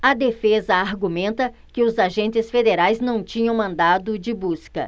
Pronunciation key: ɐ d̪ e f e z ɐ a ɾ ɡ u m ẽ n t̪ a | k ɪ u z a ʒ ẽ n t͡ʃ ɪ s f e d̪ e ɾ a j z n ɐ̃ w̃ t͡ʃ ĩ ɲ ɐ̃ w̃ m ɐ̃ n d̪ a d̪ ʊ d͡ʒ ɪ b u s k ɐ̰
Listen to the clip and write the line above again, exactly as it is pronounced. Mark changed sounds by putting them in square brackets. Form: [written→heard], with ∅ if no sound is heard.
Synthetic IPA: ɐ d̪ e f e z ɐ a ɾ ɡ u m ẽ n t̪ [a→ɐ] | k ɪ [u→ʊ] z a ʒ ẽ n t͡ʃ ɪ s f e d̪ e ɾ a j z n ɐ̃ w̃ t͡ʃ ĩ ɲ ɐ̃ w̃ m ɐ̃ n d̪ a d̪ ʊ d͡ʒ ɪ b u s k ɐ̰